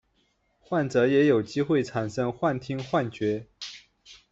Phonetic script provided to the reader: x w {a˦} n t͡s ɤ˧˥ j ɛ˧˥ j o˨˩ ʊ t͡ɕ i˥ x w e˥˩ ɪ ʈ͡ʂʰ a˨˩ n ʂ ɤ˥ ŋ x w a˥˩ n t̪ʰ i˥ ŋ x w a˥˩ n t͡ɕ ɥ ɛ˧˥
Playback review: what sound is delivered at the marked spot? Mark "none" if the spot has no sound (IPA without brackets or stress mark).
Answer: a˥˩